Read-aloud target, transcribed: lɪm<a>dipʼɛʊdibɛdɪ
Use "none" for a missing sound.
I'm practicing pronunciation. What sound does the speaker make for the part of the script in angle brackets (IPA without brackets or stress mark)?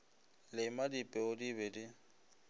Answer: a